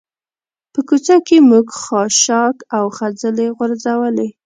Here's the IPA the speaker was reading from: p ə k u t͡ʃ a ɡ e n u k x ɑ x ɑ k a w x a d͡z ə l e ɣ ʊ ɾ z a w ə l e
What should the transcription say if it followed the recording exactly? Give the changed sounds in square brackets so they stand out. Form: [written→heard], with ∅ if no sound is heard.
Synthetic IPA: p ə k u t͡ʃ a [ɡ→k] e [n→m] u [k→ɡ] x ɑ [x→ʃ] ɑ k a w x a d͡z ə l e ɣ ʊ ɾ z a w ə l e